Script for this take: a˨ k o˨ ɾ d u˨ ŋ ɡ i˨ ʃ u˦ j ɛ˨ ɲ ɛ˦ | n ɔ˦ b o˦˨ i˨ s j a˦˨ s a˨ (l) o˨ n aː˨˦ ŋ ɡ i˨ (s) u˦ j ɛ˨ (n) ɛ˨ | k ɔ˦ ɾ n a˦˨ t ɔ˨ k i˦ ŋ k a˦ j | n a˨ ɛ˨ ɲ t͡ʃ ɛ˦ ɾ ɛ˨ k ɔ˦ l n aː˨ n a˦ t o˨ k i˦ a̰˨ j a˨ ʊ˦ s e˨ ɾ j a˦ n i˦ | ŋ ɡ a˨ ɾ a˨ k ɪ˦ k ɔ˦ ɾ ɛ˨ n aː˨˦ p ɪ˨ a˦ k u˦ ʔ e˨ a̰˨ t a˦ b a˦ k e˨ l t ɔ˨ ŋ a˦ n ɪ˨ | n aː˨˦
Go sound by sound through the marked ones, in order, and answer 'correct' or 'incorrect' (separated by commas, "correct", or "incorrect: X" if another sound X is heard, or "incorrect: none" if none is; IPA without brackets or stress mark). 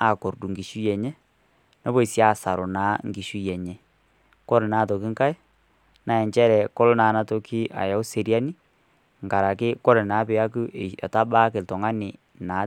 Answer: incorrect: ɾ, incorrect: ʃ, incorrect: ɲ